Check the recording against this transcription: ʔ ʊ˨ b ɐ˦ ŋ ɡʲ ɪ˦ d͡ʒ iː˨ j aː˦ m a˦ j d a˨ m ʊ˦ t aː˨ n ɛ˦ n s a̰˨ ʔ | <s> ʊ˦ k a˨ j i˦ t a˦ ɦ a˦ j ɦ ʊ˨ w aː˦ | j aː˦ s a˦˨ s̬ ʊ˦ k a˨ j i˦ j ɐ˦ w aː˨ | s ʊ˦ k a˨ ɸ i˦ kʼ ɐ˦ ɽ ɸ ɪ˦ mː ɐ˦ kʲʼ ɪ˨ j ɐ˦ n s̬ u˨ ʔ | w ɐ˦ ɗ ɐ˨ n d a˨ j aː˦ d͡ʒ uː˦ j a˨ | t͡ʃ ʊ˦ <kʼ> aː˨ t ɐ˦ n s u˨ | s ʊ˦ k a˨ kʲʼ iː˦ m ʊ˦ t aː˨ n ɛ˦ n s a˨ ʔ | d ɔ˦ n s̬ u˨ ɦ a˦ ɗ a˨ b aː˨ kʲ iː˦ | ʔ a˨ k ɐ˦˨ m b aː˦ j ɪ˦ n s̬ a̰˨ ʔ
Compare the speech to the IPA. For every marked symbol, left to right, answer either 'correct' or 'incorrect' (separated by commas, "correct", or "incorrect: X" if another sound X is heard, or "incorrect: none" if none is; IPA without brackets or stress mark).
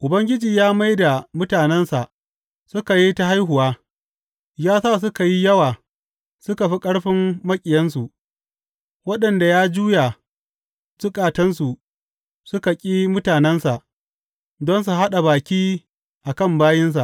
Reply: correct, correct